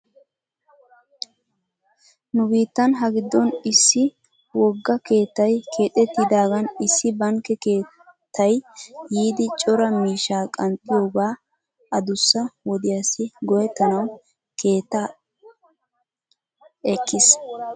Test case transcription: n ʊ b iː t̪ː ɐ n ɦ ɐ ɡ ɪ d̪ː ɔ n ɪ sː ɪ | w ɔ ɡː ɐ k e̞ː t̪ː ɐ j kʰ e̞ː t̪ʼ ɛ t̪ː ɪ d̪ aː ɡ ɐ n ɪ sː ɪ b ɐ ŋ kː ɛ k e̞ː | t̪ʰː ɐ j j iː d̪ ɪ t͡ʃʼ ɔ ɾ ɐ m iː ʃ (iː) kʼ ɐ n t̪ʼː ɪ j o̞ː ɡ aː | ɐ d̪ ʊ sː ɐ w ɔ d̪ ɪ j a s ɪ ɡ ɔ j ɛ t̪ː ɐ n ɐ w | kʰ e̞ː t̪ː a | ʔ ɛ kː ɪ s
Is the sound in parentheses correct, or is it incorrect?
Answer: incorrect